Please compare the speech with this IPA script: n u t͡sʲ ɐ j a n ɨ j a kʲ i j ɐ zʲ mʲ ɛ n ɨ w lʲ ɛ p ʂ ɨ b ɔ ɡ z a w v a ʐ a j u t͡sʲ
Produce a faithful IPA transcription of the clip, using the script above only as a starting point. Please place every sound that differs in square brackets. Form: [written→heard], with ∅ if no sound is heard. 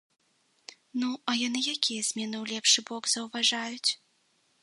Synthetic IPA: n u [t͡sʲ→∅] ɐ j a n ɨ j a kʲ i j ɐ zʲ mʲ ɛ n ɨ w lʲ ɛ p ʂ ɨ b ɔ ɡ z [a→ɐ] w v a ʐ a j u t͡sʲ